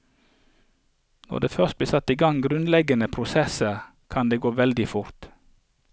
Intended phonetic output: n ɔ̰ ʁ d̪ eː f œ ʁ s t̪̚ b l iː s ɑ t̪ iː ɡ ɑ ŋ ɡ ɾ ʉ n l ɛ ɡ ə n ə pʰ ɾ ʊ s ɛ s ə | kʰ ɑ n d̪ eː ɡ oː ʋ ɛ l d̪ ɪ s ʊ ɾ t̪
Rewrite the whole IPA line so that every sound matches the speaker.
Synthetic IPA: n ɔ̰ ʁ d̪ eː f œ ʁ s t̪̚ b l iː s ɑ t̪ iː ɡ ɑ ŋ ɡ ɾ ʉ n l ɛ ɡ ə n ə pʰ ɾ ʊ s ɛ s ə | kʰ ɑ n d̪ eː ɡ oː ʋ ɛ l d̪ ɪ f ʊ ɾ t̪